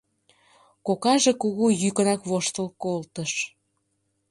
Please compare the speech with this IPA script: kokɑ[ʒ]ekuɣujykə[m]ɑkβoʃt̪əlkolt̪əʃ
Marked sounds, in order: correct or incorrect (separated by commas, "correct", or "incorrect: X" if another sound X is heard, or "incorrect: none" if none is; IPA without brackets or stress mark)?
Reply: correct, incorrect: n